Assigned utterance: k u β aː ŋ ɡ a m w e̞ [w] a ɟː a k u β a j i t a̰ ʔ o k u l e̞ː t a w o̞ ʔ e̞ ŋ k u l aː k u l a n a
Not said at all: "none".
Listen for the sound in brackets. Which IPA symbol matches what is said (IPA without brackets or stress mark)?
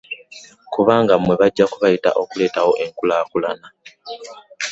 β